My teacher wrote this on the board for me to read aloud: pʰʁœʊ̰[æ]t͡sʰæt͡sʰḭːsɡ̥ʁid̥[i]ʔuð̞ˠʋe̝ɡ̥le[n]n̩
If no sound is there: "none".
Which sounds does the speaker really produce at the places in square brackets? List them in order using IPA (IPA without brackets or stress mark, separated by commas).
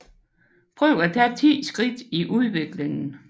æ, i, ŋ